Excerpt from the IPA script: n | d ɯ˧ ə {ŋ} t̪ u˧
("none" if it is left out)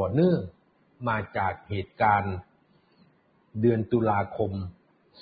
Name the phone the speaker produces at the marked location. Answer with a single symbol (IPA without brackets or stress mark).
n